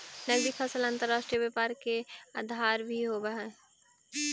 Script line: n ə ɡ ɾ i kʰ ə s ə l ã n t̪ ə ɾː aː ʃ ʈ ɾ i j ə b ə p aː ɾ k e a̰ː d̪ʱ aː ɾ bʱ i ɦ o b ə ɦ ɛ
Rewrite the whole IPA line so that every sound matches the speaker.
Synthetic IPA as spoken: n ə ɡ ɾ i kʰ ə s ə l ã n t̪ ə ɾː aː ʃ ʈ ɾ i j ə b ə p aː ɾ k e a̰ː d̪ʱ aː ɾ bʱ i ɦ o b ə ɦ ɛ